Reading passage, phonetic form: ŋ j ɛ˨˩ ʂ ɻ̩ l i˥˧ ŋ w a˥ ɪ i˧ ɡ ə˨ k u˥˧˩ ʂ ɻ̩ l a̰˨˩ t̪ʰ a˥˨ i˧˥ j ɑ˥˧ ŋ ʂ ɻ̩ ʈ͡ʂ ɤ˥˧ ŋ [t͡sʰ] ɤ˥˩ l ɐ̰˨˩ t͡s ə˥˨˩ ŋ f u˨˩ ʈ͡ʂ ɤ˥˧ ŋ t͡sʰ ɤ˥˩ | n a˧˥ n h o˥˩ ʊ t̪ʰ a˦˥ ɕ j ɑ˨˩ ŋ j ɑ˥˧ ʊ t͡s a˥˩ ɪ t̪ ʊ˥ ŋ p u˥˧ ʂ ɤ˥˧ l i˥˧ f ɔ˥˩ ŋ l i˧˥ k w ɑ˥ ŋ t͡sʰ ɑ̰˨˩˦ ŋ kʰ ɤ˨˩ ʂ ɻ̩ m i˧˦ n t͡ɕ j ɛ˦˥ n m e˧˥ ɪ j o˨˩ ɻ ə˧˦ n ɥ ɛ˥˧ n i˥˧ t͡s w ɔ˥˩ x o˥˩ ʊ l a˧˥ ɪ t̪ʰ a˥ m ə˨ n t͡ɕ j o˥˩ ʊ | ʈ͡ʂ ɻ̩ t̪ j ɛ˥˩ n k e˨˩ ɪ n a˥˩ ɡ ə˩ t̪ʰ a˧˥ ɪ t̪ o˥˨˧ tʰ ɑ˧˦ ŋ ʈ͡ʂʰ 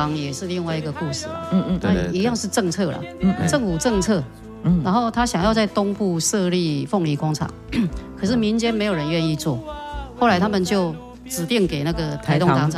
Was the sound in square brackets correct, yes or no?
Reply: yes